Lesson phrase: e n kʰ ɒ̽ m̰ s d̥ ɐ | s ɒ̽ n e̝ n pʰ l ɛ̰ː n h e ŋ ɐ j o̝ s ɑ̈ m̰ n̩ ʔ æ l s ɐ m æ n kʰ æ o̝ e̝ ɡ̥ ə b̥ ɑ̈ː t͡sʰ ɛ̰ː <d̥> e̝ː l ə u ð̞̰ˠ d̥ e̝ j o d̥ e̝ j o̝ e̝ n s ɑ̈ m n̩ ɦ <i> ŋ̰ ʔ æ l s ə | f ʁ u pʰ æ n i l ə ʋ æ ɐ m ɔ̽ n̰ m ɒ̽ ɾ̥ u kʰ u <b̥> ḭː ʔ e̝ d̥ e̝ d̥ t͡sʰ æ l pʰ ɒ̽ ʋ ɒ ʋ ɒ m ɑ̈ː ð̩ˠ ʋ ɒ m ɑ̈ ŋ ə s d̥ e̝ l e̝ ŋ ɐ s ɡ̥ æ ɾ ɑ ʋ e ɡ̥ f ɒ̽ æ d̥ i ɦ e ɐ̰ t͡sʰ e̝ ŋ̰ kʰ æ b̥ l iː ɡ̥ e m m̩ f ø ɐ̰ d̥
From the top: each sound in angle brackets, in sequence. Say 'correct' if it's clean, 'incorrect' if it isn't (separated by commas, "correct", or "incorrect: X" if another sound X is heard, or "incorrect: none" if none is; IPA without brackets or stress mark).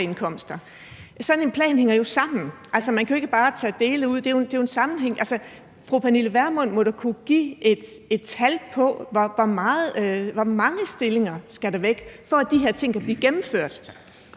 correct, incorrect: e, incorrect: ɡ̥